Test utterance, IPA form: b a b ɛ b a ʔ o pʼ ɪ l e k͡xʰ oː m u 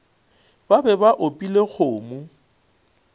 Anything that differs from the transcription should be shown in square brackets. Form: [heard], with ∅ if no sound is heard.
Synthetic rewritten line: b a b ɛ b a ʔ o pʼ [i] l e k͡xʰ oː m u

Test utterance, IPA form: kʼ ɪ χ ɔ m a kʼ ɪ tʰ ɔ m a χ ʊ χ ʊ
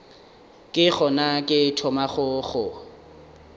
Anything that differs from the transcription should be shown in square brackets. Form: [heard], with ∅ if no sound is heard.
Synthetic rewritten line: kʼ ɪ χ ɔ [n] a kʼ ɪ tʰ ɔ m a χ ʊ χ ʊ

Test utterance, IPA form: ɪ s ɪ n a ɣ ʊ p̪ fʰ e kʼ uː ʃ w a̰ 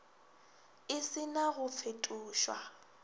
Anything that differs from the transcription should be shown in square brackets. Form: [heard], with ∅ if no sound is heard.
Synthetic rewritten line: ɪ s ɪ n a ɣ ʊ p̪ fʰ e [tʼ] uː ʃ w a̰

